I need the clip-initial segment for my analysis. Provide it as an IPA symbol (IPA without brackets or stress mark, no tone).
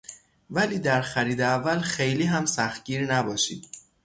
v